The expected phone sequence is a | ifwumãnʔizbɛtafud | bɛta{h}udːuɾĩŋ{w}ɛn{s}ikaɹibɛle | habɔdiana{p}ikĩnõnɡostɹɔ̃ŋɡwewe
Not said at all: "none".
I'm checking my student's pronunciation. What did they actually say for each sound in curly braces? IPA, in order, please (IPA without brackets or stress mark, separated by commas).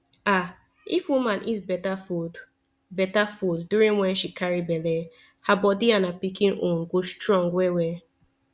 f, w, ʃ, p